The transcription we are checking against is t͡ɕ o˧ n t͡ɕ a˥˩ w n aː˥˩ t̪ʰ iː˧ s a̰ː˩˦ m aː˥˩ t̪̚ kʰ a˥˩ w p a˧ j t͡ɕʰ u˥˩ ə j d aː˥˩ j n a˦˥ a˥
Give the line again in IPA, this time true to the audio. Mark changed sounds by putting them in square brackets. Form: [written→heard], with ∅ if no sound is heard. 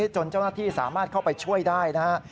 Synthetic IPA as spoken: t͡ɕ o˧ n t͡ɕ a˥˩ w n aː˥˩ t̪ʰ [iː˧→iː˥˩] s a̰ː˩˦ m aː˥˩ t̪̚ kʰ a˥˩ w p a˧ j t͡ɕʰ u˥˩ ə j d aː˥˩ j n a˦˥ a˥